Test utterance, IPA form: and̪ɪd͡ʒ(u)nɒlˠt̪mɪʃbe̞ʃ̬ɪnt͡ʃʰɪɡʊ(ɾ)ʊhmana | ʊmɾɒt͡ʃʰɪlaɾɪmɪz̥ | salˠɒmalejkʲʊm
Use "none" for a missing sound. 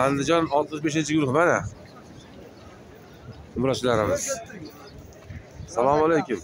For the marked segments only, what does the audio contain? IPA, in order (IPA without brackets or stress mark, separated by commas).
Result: ɒ, ɾ